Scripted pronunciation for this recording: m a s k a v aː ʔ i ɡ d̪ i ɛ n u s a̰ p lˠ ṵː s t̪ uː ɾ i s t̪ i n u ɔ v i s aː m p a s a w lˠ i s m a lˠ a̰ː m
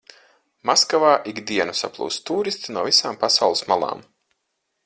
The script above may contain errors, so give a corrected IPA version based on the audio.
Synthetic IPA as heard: m a s k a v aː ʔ i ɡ d̪ i ɛ n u s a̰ p lˠ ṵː s t̪ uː ɾ i s t̪ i n u ɔ v i s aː m p a s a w lˠ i s m a lˠ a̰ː m